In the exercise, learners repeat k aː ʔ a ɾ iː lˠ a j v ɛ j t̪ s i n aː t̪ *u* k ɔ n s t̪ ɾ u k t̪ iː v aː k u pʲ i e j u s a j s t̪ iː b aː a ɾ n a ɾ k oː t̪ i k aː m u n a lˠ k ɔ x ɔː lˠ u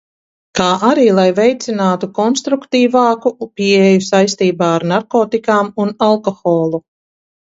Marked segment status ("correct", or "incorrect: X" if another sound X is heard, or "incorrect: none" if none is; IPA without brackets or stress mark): correct